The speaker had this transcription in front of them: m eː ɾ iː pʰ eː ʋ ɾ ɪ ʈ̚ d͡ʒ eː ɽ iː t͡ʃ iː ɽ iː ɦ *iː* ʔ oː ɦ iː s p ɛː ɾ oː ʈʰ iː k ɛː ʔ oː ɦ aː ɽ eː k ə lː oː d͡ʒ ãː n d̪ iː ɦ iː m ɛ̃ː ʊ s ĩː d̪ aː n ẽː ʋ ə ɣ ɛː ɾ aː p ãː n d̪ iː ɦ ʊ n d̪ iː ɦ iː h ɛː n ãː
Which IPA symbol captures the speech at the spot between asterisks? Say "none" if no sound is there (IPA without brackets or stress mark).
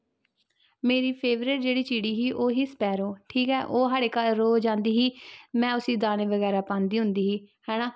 iː